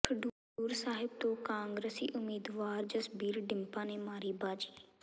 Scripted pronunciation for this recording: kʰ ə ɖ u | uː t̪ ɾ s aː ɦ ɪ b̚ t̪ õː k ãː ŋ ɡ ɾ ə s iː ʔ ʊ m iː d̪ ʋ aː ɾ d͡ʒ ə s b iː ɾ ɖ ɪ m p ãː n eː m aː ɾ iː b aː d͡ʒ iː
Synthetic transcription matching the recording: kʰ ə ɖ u | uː ɾ s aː ɦ ɪ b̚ t̪ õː k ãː ŋ ɡ ɾ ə s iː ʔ ʊ m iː d̪ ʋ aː ɾ d͡ʒ ə s b iː ɾ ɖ ɪ m p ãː n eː m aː ɾ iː b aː d͡ʒ iː